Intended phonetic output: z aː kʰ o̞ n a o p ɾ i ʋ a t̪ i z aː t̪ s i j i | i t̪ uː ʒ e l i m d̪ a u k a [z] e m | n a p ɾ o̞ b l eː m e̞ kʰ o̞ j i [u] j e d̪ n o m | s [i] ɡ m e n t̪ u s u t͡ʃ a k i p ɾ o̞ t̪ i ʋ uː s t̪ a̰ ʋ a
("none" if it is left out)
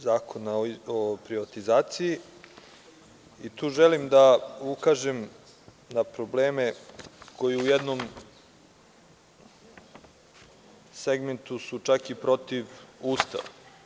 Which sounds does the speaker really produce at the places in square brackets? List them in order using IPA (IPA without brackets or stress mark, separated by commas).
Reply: ʒ, u, e